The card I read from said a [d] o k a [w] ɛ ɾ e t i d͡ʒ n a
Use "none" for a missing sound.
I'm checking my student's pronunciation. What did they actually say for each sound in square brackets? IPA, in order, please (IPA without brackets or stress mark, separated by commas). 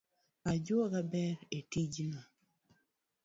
d͡ʒ, b